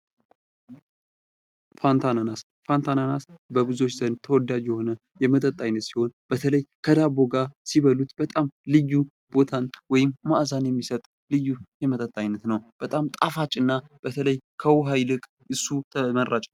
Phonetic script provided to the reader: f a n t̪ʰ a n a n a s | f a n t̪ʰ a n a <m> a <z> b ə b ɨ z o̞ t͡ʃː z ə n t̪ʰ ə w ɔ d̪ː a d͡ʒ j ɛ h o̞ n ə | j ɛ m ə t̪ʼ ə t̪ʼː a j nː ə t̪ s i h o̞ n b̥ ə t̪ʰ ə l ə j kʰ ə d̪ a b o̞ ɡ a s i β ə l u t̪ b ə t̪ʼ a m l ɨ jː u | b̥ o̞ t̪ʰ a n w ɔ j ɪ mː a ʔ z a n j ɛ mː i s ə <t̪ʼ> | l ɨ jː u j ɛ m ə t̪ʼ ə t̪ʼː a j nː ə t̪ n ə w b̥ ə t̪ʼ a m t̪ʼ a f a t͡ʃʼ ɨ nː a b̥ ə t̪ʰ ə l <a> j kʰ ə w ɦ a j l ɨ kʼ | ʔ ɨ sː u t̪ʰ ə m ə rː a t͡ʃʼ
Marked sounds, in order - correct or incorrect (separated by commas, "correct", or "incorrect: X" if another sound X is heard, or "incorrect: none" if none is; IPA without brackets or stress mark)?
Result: incorrect: n, incorrect: s, correct, incorrect: ə